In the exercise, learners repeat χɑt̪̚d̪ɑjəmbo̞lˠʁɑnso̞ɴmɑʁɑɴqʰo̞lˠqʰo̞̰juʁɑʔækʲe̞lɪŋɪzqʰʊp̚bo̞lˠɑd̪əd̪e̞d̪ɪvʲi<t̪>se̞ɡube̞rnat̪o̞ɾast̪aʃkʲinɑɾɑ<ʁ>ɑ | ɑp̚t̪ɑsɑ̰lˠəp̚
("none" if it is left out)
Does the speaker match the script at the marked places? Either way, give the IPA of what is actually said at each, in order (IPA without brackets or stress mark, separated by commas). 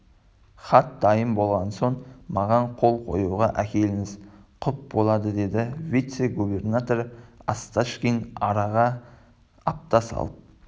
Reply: t̪, ʁ